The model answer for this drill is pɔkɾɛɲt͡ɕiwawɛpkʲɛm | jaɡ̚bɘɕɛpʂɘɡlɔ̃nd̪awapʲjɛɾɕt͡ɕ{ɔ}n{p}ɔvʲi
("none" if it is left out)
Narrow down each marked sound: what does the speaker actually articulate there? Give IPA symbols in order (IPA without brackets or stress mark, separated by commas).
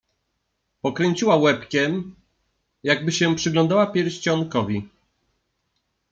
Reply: ɔ, k